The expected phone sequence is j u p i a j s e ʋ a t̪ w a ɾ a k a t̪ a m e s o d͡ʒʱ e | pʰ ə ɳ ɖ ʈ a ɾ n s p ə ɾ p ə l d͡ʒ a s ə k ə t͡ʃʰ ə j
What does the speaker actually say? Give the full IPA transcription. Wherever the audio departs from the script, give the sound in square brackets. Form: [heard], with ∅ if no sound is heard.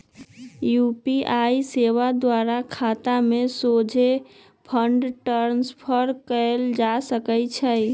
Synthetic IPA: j u p i a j s e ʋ a [d̪] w a ɾ a [kʰ] a t̪ a m e s o d͡ʒʱ e | pʰ ə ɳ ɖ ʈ [ə] ɾ n s [pʰ] ə ɾ [k] ə l d͡ʒ a s ə k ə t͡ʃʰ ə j